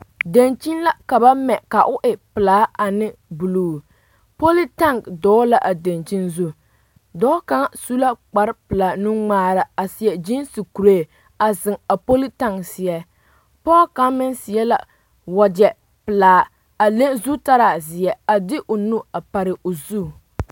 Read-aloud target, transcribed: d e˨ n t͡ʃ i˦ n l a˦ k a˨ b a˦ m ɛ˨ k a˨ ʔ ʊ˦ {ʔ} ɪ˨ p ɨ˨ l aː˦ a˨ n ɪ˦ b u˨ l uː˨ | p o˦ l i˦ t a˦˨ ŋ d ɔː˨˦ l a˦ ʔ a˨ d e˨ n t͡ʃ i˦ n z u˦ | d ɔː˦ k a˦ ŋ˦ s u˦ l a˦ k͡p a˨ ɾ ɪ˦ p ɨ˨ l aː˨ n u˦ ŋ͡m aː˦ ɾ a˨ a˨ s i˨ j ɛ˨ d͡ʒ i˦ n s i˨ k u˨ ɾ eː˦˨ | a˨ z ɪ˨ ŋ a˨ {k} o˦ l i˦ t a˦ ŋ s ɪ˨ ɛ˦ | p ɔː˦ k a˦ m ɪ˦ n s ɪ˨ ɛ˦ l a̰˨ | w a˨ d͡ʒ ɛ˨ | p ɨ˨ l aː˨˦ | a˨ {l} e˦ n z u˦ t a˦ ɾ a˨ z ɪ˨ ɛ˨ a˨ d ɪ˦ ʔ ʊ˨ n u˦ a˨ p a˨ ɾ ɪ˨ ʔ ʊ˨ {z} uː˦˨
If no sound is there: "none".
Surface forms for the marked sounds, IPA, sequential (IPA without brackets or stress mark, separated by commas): ʔ, p, l, z